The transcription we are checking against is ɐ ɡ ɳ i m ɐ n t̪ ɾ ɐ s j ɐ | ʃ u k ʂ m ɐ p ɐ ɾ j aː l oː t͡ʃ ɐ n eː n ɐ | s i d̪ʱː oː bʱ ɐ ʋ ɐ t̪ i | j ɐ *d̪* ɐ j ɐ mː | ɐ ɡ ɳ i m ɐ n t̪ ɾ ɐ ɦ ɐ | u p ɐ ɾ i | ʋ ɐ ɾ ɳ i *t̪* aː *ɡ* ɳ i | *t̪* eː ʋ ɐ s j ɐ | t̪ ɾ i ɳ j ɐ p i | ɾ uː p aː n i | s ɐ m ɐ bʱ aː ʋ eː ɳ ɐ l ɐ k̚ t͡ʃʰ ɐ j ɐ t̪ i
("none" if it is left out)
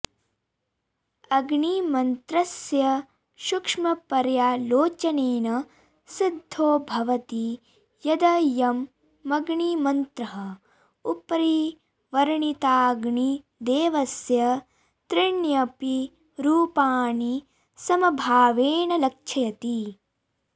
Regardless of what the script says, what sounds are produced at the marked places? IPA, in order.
d̪, t̪, ɡ, d̪

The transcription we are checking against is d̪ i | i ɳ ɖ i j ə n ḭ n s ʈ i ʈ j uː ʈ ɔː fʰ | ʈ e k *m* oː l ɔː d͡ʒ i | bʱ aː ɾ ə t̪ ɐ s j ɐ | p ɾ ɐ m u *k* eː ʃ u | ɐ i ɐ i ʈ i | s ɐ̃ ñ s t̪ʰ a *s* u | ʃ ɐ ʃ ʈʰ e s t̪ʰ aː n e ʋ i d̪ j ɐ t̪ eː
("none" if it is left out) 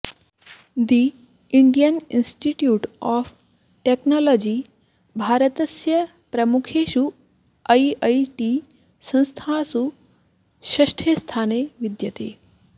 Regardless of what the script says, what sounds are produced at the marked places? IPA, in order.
n, kʰ, s

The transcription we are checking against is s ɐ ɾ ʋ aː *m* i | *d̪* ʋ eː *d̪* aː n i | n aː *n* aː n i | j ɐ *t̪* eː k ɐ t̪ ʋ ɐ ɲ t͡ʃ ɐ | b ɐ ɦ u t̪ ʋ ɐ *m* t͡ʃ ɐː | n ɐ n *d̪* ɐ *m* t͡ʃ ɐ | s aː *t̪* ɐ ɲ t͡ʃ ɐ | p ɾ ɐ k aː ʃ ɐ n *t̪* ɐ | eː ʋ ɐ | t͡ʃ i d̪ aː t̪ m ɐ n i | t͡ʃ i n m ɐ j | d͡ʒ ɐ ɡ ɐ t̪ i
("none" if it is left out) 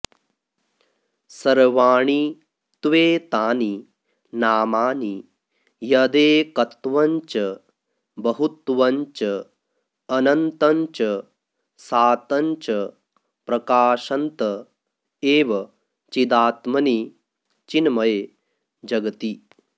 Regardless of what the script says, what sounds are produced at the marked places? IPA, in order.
ɳ, t̪, t̪, m, d̪, ɲ, t̪, ɲ, t̪, t̪

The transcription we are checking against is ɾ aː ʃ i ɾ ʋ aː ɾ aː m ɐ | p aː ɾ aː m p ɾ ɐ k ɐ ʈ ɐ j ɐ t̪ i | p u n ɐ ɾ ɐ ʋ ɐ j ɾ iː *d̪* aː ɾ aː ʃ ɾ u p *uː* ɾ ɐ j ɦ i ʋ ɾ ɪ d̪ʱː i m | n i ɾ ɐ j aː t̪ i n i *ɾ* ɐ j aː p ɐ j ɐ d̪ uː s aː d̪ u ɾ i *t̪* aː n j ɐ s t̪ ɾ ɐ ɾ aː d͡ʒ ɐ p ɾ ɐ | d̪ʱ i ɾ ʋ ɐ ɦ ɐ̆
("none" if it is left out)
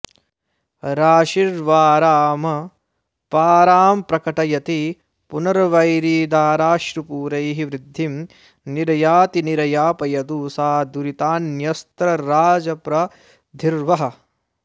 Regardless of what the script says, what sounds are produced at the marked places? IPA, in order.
d̪, uː, ɾ, t̪

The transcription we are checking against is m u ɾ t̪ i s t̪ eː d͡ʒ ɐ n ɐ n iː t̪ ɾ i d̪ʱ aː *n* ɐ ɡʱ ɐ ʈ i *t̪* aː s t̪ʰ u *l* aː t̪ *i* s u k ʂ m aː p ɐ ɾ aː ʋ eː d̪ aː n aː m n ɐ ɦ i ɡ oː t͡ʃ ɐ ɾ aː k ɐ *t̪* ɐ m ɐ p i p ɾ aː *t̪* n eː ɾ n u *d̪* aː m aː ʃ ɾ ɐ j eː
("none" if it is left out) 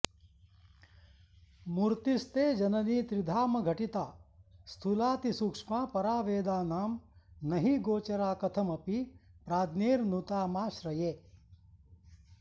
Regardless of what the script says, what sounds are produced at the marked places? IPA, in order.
m, t̪, l, i, t̪ʰ, d̪, t̪

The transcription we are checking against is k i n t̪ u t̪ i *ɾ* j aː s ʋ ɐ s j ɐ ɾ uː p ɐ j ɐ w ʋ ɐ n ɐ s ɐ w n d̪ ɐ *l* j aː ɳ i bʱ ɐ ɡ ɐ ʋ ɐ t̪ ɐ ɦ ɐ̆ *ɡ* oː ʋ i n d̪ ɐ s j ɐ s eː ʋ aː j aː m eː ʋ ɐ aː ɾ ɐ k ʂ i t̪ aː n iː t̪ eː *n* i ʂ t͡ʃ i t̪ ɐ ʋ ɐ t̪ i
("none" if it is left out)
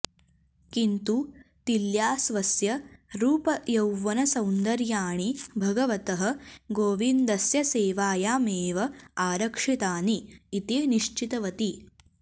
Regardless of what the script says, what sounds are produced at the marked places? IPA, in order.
l, ɾ, ɡ, n

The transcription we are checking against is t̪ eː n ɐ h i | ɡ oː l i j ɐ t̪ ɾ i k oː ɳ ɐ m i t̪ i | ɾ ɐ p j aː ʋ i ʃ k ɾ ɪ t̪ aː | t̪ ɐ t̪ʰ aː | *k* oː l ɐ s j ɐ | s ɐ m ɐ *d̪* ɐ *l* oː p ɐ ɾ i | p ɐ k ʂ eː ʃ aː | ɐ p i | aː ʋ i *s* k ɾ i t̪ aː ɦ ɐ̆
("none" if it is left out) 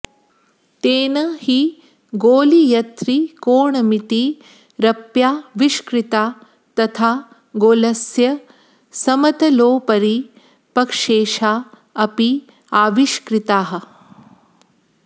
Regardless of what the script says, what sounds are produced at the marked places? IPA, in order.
ɡ, t̪, l, ʃ

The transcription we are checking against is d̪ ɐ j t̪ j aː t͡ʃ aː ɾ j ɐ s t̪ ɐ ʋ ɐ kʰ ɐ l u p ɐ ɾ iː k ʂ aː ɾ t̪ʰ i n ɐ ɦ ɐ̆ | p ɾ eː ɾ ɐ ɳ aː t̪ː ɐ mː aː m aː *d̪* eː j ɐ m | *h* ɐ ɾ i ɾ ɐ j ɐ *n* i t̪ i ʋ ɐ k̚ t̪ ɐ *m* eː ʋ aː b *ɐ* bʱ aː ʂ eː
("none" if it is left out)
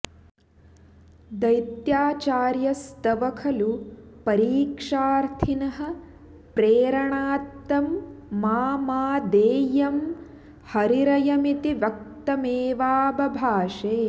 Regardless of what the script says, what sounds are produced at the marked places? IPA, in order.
d̪, h, m, m, ɐ

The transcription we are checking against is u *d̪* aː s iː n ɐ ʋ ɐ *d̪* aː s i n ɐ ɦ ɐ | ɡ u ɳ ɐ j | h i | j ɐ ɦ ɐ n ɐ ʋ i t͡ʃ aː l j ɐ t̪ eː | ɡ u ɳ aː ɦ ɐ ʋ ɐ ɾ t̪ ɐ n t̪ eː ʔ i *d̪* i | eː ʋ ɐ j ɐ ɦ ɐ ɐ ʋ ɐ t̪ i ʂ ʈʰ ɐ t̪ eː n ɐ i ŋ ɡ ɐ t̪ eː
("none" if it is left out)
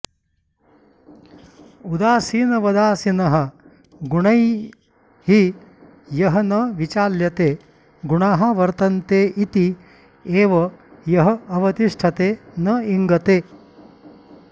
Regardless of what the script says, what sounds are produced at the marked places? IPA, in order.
d̪, d̪, t̪

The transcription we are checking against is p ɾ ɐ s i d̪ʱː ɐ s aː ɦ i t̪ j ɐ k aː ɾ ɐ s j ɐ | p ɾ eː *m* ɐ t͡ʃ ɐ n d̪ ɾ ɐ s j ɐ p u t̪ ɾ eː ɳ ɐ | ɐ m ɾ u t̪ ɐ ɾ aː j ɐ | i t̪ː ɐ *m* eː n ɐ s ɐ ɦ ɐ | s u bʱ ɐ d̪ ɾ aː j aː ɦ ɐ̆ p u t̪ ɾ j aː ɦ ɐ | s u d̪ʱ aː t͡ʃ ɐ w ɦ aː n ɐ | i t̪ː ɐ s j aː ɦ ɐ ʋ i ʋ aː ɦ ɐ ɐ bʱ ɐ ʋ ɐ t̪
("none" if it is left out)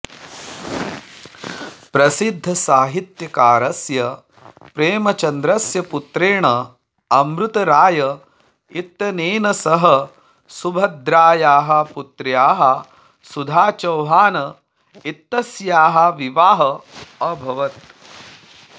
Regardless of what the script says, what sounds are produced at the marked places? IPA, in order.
m, n

